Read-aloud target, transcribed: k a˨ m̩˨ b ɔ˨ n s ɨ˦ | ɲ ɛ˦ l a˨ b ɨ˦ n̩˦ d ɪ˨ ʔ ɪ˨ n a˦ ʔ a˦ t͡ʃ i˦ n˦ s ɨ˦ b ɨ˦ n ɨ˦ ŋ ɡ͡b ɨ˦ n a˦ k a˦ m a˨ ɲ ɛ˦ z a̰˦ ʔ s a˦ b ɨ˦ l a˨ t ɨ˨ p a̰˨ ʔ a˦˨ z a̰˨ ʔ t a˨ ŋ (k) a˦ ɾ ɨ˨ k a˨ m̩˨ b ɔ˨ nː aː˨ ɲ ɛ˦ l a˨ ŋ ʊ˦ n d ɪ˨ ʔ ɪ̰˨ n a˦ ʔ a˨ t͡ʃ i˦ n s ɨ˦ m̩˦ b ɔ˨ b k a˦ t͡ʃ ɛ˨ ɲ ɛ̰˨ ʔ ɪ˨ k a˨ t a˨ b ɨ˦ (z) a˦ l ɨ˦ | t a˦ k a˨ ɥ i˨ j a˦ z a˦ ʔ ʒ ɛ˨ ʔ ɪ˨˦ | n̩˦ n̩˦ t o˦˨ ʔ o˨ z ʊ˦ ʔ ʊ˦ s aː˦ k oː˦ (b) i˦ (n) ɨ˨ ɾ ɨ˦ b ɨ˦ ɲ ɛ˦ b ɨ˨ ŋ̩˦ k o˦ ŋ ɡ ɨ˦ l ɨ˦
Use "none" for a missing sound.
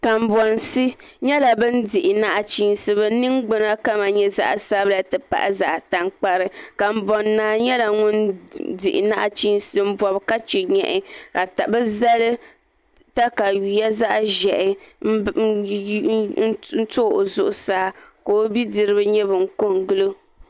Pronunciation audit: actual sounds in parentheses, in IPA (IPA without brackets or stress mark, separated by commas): k͡p, z, b, d